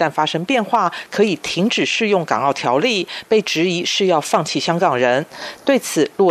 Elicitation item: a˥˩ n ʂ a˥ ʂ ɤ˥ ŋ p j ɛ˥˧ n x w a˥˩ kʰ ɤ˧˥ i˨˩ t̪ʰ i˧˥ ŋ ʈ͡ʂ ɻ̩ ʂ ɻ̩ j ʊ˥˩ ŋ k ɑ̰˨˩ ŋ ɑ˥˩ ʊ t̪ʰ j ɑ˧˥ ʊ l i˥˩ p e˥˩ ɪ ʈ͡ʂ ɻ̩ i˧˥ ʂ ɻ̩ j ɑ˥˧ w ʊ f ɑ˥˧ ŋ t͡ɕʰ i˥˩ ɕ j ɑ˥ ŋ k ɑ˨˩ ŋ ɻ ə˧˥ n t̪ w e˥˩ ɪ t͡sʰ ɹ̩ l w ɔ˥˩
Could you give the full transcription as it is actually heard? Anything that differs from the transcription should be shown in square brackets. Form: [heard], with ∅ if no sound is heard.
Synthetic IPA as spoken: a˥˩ n [f] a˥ ʂ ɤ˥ ŋ p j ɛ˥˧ n x w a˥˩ kʰ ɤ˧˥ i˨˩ t̪ʰ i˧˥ ŋ ʈ͡ʂ ɻ̩ ʂ ɻ̩ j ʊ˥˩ ŋ k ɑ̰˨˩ ŋ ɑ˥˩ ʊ t̪ʰ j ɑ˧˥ ʊ l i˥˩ p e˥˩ ɪ ʈ͡ʂ ɻ̩ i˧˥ ʂ ɻ̩ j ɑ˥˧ [∅] ʊ f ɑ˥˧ ŋ t͡ɕʰ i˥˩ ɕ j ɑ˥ ŋ k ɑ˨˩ ŋ ɻ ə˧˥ n t̪ w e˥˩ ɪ t͡sʰ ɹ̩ l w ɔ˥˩